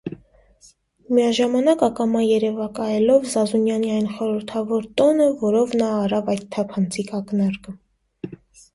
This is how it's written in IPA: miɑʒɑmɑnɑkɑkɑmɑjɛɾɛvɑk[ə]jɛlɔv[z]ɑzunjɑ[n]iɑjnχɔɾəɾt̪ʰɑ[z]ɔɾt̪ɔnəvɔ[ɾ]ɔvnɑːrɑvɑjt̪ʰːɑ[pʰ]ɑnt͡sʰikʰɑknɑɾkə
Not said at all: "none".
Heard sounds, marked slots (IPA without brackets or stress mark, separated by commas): ɑ, z, n, v, ɾ, pʰ